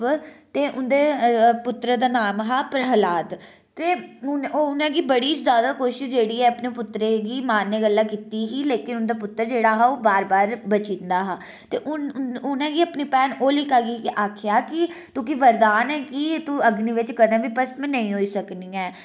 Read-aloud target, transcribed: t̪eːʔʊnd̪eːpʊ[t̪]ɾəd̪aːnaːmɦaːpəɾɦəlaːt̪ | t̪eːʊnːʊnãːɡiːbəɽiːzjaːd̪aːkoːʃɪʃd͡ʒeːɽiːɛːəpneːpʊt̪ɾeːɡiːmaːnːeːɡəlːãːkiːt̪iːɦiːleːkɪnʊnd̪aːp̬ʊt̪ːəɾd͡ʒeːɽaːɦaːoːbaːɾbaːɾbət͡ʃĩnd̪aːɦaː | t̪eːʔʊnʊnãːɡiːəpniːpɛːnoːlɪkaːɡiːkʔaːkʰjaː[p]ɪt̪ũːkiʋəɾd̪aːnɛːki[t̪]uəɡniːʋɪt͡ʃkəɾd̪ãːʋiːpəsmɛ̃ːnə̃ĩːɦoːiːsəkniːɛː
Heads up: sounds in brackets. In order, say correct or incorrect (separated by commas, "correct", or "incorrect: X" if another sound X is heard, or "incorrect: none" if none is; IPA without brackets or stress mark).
correct, incorrect: k, correct